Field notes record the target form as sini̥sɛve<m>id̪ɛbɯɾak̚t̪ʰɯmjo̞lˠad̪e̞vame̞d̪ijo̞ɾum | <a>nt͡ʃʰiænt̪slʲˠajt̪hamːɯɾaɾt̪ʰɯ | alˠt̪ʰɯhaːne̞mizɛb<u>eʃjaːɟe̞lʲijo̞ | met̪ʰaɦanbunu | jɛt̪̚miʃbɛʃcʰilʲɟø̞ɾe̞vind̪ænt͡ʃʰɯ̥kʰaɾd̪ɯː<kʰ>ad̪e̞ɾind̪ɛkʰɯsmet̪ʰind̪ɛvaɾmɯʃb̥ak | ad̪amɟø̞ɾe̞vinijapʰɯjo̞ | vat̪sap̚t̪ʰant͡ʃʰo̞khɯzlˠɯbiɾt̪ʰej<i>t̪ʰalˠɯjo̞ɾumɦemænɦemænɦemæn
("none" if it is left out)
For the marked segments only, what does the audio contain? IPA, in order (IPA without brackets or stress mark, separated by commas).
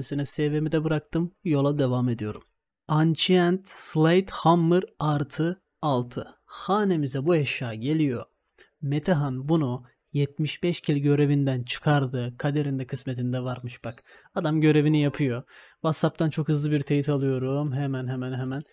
m, a, u, kʰ, i